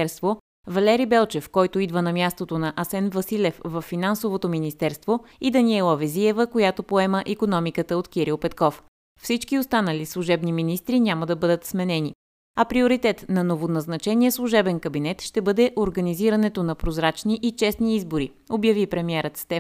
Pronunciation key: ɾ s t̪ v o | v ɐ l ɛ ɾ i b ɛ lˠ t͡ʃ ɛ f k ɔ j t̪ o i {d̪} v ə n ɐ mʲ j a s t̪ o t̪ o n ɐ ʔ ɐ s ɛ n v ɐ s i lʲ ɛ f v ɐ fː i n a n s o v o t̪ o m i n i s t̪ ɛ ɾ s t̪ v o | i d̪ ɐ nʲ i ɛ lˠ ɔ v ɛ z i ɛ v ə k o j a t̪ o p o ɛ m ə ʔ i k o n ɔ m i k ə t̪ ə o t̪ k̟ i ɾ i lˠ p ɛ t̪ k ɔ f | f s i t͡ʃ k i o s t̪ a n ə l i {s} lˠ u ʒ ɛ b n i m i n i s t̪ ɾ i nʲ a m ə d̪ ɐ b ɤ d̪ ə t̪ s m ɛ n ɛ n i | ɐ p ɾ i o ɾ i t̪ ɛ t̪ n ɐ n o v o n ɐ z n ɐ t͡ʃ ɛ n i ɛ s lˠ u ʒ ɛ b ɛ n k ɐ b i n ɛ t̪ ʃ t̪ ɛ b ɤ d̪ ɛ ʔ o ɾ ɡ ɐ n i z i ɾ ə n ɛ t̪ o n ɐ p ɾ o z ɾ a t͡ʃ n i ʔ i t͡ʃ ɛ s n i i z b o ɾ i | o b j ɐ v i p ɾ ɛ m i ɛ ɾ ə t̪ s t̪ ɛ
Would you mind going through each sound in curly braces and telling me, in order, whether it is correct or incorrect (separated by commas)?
correct, correct